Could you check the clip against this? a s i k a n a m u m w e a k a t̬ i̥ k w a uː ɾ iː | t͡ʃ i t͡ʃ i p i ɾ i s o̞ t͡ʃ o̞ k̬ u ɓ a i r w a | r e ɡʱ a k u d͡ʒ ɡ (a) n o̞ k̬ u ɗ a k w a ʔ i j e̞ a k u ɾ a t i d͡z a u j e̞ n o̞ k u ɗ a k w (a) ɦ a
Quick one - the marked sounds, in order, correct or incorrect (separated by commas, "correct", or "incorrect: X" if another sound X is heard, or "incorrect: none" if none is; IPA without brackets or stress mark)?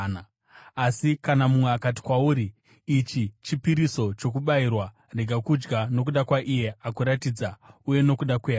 correct, incorrect: e